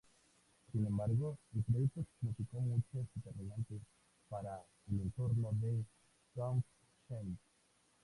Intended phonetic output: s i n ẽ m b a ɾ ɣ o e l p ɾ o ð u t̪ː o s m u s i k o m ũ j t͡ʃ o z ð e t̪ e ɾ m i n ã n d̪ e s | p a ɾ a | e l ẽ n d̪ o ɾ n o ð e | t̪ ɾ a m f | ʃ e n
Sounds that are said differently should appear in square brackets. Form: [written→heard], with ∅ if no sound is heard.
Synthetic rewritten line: s i n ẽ m b a ɾ ɣ o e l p ɾ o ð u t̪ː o s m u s i k o m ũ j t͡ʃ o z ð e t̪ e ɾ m i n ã n [d̪→t̪] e s | p a ɾ a | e l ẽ n [d̪→t̪] o ɾ n o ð e | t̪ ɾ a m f | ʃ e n